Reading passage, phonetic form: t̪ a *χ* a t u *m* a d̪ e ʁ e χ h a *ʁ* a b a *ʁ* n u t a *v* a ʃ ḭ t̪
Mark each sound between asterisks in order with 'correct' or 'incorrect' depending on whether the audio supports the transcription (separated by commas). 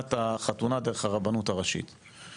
correct, incorrect, correct, incorrect, incorrect